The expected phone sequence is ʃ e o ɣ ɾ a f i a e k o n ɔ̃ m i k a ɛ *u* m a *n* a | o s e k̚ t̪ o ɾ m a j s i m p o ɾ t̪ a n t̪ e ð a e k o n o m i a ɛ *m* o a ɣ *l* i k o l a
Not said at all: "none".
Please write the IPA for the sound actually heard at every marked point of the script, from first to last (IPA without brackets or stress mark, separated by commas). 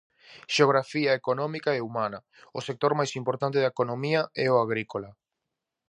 u, n, none, ɾ